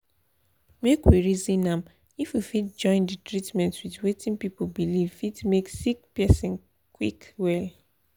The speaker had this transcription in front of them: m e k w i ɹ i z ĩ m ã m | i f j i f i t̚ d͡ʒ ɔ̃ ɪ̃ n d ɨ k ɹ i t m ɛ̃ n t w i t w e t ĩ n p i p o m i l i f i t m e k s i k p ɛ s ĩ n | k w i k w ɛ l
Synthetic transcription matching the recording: m e k w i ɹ i z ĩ n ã m | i f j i f i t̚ d͡ʒ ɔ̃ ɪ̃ n d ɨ t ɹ i t m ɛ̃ n t w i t w e t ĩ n p i p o b i l i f i t m e k s i k p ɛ s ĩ n | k w i k w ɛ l